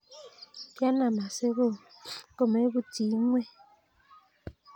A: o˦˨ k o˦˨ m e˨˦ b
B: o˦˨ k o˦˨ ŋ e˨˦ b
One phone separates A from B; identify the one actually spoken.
A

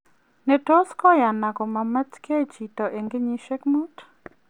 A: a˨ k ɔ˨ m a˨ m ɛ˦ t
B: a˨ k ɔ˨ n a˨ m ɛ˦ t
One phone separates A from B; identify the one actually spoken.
A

